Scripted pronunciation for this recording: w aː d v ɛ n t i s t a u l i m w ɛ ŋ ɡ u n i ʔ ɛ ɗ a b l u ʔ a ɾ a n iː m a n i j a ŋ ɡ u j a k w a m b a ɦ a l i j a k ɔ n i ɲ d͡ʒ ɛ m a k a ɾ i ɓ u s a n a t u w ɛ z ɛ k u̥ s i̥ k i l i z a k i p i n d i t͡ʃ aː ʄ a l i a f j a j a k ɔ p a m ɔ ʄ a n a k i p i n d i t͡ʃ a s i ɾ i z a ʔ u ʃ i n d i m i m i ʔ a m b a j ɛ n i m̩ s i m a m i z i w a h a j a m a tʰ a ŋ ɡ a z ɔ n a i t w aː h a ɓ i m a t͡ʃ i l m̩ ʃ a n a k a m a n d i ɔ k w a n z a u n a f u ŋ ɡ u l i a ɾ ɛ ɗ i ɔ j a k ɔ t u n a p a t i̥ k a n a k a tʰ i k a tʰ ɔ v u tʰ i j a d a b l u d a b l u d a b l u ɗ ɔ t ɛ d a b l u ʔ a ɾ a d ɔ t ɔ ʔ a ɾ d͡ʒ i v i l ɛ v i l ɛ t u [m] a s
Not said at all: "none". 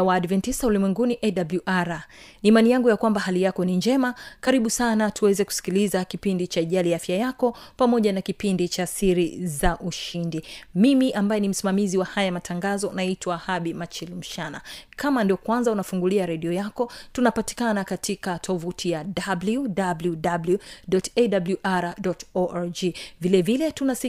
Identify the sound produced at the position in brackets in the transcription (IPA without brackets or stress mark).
n